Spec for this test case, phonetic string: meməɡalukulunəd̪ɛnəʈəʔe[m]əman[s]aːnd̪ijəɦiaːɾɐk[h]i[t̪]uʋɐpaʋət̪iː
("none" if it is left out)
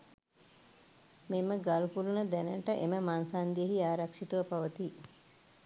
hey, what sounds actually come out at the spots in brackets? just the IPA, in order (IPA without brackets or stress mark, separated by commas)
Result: m, s, ʂ, t̪